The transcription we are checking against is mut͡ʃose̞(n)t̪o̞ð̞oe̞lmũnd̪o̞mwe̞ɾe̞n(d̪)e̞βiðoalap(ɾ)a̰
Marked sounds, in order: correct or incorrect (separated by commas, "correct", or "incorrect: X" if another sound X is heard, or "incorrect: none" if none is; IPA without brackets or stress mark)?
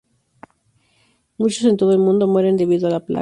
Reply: correct, correct, incorrect: l